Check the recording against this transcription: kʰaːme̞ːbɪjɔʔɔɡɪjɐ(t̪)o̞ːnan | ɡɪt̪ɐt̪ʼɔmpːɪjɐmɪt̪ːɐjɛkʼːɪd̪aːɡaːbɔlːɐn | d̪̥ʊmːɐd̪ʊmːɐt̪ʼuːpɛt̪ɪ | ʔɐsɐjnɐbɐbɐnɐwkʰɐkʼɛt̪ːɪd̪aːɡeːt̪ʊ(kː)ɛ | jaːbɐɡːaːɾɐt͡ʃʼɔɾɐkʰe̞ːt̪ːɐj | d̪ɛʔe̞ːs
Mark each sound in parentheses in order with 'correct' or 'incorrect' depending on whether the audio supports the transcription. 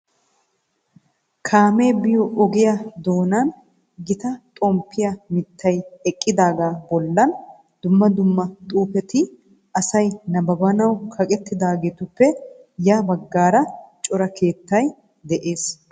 incorrect, incorrect

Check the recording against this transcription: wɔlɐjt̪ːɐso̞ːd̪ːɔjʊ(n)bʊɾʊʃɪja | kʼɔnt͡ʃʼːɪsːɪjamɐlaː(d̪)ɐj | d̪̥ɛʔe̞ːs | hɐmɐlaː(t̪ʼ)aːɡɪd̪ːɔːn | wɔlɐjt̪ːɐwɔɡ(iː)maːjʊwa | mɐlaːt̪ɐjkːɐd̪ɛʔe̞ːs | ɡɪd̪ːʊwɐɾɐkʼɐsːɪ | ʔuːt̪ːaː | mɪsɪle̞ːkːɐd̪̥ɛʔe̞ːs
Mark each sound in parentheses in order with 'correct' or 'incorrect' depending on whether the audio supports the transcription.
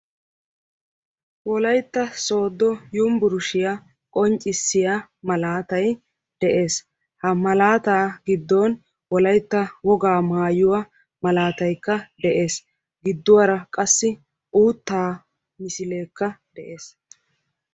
incorrect, incorrect, incorrect, incorrect

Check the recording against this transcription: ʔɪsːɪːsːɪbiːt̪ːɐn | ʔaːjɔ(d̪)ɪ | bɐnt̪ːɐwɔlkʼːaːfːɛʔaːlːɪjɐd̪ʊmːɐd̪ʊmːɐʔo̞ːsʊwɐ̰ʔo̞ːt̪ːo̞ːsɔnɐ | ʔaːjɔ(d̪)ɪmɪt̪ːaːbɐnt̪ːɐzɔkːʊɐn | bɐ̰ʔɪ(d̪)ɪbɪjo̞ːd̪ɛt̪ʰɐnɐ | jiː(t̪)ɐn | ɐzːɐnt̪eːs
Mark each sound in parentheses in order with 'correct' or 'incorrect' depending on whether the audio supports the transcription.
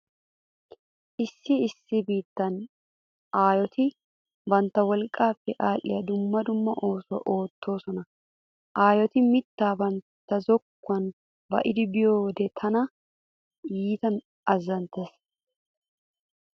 incorrect, incorrect, correct, correct

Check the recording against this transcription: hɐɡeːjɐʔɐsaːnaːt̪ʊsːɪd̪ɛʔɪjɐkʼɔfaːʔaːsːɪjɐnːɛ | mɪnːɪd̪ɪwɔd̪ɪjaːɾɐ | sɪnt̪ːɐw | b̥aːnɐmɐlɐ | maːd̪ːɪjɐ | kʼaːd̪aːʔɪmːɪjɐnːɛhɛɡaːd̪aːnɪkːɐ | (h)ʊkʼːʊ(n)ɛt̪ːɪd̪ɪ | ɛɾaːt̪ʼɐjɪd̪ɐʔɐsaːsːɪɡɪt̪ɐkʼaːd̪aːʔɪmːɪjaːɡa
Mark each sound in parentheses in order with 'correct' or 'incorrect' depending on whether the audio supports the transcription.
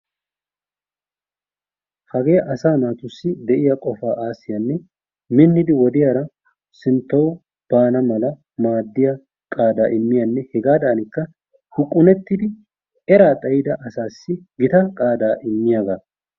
correct, correct

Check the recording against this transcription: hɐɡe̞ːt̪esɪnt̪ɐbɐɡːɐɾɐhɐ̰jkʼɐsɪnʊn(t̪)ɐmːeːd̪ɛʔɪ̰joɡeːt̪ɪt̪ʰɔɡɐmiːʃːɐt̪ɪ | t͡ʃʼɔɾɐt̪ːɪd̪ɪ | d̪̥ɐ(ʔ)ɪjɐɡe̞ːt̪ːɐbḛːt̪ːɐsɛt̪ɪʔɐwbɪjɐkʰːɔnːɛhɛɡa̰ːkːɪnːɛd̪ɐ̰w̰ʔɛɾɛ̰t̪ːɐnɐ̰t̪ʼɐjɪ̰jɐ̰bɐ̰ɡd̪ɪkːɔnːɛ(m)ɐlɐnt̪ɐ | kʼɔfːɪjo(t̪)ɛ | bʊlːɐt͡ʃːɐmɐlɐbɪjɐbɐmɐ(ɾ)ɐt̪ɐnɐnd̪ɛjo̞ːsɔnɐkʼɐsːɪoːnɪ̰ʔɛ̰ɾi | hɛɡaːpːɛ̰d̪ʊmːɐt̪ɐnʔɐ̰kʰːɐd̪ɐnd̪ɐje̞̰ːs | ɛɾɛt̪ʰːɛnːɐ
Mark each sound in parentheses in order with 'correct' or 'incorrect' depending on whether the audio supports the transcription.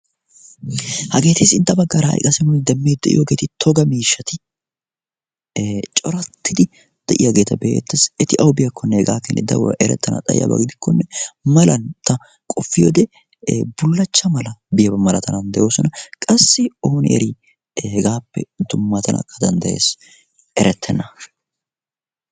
incorrect, correct, correct, incorrect, incorrect

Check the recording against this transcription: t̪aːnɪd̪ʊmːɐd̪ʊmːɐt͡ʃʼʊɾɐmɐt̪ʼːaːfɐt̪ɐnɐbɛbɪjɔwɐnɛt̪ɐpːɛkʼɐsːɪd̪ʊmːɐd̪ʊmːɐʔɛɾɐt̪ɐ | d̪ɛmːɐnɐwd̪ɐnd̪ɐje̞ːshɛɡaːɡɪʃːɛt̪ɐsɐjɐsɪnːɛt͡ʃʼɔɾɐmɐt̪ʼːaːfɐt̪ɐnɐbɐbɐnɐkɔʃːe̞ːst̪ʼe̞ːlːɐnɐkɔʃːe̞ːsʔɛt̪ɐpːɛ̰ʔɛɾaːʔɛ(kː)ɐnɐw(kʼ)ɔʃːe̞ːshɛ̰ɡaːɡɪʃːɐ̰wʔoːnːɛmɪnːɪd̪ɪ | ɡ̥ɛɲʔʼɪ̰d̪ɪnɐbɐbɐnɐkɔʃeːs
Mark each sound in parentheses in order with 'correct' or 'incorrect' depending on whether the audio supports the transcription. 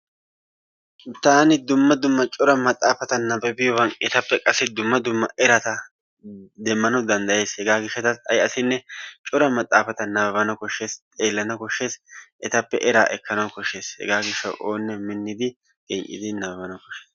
correct, incorrect

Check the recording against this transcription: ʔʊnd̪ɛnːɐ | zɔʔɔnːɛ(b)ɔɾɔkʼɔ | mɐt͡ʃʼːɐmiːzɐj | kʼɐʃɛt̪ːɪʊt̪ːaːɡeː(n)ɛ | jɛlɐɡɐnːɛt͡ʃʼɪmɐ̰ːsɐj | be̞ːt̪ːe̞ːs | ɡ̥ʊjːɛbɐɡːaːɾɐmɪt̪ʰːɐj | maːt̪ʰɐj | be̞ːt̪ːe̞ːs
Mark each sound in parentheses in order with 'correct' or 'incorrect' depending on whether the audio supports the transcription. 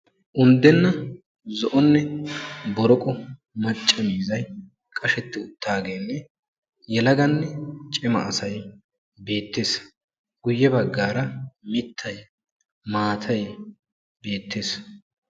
correct, incorrect

